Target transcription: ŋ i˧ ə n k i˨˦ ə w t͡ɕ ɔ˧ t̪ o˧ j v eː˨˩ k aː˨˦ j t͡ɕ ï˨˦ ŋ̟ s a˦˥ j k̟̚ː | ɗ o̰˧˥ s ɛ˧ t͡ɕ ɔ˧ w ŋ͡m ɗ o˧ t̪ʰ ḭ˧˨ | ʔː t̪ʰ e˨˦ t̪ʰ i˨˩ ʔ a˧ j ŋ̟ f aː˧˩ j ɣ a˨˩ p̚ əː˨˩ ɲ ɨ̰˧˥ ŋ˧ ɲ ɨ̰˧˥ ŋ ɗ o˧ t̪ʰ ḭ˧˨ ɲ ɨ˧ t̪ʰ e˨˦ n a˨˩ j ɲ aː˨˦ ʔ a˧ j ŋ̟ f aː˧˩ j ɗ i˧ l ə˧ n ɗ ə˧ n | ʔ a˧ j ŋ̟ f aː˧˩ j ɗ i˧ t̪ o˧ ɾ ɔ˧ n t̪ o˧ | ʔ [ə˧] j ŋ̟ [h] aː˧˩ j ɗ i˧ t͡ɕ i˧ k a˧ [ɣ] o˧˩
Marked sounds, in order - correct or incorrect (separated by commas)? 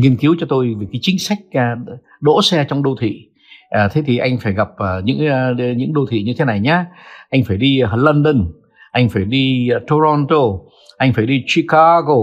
incorrect, incorrect, correct